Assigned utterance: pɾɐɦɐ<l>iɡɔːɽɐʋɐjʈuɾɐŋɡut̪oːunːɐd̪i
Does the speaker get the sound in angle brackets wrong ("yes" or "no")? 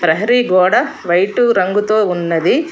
yes